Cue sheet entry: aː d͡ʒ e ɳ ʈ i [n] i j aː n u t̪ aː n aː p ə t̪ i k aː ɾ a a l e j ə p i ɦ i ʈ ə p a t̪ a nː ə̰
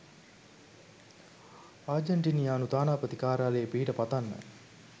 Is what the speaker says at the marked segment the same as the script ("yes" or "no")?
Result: yes